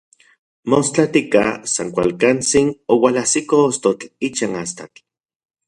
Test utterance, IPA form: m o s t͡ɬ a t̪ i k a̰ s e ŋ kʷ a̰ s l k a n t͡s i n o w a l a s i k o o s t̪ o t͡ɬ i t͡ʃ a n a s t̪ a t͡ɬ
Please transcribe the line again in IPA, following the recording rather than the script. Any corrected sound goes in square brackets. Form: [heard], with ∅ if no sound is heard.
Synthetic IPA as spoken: m o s t͡ɬ a t̪ i k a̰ s [a] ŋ kʷ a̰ [∅] l k a n t͡s i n o w a l a s i k o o s t̪ o t͡ɬ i t͡ʃ a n a s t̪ a t͡ɬ